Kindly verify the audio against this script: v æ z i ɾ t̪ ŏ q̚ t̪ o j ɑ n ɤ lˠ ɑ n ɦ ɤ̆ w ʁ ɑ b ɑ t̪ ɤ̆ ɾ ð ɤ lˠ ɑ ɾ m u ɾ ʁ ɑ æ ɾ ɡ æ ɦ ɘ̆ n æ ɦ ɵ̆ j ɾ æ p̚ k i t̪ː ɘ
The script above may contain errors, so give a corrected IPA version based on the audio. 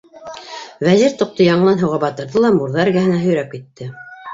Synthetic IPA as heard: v æ z i ɾ t̪ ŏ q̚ t̪ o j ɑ ɴ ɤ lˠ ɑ n ɦ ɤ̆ w ʁ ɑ b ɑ t̪ ɤ̆ ɾ ð ɤ lˠ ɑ m u ɾ ð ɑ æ ɾ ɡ æ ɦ ɘ̆ n æ ɦ ɵ̆ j ɾ æ p̚ k i t̪ː ɘ